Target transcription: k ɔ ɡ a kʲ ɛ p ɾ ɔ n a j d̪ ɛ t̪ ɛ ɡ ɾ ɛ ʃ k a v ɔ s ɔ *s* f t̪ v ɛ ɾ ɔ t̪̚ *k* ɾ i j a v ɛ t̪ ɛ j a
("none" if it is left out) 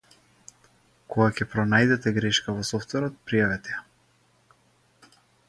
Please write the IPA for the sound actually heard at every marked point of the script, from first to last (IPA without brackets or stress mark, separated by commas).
none, p